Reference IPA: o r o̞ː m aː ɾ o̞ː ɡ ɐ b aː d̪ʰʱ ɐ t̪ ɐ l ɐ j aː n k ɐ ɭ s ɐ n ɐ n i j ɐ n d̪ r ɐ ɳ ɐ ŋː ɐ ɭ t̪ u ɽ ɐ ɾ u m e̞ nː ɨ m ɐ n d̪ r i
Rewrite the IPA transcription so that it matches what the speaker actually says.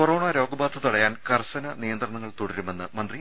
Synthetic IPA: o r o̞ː ɳ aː ɾ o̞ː ɡ ɐ b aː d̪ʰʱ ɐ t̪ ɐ ɽ ɐ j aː n k ɐ r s ɐ n ɐ n i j ɐ n d̪ r ɐ ɳ ɐ ŋː ɐ ɭ t̪ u ɽ ɐ ɾ u m e̞ nː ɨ m ɐ n d̪ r i